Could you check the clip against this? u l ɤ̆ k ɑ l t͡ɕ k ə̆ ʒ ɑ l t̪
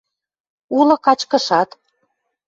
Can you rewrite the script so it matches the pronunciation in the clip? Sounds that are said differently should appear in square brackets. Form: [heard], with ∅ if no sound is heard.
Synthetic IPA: u l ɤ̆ k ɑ [∅] t͡ɕ k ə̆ [ʃ] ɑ [∅] t̪